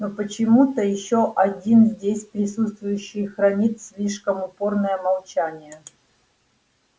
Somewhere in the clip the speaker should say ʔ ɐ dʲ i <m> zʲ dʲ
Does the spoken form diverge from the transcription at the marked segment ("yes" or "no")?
yes